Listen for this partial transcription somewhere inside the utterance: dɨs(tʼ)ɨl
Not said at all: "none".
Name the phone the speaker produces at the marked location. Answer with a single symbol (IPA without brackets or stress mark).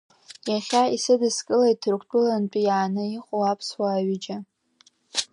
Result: kʼ